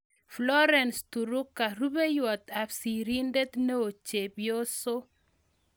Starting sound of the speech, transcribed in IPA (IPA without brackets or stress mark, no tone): f